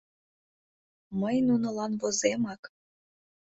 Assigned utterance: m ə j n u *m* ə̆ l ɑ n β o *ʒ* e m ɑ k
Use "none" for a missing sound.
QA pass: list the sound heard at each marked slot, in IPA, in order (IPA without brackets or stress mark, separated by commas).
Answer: n, z